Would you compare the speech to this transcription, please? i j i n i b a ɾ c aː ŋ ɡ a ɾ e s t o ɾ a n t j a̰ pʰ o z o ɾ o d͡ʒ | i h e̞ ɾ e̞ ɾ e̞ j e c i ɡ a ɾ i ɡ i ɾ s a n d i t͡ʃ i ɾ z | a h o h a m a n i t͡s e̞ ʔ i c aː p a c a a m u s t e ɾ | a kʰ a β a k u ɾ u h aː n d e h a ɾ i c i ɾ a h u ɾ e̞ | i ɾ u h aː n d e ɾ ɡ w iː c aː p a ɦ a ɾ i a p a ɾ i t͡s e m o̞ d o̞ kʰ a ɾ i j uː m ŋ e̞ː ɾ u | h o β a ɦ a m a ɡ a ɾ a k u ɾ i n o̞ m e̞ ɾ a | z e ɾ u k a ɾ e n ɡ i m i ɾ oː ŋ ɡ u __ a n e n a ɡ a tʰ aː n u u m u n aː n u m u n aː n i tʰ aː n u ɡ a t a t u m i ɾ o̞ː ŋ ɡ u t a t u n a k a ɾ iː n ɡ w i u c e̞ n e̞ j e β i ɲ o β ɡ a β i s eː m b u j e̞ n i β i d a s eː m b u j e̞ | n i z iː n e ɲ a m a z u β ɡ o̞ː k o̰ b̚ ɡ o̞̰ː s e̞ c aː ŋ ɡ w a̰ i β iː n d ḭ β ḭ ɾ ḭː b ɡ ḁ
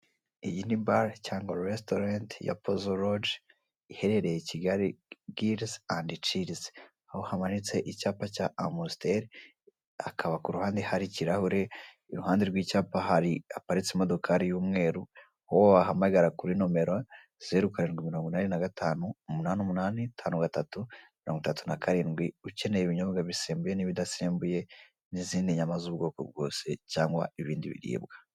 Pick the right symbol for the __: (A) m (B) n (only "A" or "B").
B